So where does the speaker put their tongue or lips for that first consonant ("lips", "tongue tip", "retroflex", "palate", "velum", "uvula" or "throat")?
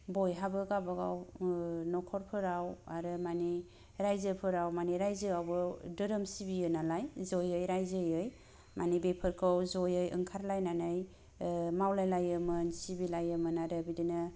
lips